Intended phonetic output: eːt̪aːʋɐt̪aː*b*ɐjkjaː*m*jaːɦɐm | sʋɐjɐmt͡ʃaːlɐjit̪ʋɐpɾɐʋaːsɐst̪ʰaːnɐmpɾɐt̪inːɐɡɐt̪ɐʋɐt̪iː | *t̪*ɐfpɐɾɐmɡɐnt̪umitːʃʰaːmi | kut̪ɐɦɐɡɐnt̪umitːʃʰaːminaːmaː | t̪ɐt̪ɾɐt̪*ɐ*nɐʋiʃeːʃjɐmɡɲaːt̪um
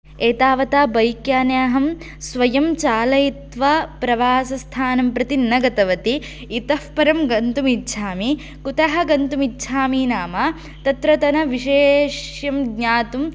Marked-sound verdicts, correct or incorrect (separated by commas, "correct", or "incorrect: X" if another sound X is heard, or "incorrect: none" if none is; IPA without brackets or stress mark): correct, incorrect: n, correct, correct